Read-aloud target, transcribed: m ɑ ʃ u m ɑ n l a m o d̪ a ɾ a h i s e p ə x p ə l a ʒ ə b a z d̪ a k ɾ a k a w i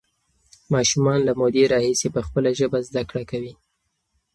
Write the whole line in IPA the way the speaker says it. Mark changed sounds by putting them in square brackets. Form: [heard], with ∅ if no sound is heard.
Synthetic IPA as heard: m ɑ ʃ u m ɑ n l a m o d̪ [e] ɾ [ɑ] h i s e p ə x p ə l a ʒ ə b a z d̪ a k [ɽ] a k a w i